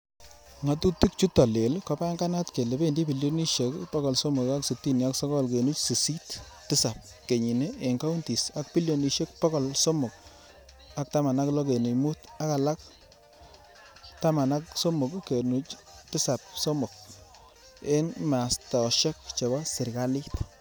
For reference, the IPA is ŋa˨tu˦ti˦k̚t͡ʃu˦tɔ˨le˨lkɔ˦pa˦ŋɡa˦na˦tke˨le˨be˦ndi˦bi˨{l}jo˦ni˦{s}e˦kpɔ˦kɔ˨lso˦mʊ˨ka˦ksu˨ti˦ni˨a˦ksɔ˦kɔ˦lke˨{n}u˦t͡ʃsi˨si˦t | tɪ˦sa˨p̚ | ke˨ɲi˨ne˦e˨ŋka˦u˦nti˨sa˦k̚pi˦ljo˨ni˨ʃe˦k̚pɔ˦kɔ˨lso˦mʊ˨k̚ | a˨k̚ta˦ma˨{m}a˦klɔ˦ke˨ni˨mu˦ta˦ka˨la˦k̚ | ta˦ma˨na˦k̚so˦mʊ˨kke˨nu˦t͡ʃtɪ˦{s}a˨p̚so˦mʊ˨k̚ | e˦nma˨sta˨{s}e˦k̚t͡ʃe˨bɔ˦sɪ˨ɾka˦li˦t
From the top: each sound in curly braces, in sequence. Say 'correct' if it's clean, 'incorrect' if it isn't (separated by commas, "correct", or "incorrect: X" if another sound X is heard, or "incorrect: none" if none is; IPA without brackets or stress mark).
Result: correct, incorrect: ʃ, correct, incorrect: n, correct, incorrect: ʃ